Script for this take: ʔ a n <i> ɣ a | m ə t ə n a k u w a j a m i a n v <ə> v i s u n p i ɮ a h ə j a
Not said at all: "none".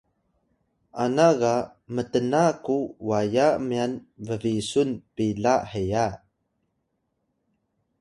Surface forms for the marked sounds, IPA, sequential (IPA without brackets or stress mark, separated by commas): a, ə